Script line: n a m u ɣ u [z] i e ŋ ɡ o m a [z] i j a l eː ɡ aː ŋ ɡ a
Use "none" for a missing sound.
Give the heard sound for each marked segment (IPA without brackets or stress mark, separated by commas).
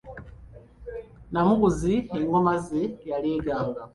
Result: z, z